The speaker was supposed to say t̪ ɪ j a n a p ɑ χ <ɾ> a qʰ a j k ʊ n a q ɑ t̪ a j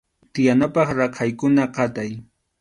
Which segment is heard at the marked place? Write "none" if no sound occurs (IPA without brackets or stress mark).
ɾ